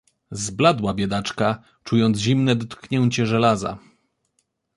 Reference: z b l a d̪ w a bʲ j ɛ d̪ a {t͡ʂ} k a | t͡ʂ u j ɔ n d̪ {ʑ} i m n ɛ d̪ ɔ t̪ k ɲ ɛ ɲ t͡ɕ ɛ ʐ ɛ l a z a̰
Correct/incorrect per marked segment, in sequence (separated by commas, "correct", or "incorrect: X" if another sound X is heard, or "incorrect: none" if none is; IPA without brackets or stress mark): correct, correct